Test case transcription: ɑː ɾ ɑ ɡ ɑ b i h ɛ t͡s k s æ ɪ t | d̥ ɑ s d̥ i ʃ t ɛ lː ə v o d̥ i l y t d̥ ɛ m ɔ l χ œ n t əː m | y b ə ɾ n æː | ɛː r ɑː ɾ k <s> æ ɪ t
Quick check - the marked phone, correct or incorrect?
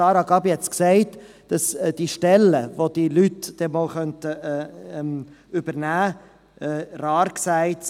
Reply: correct